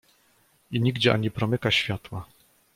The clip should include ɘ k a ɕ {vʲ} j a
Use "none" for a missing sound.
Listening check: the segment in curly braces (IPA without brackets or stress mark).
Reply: fʲ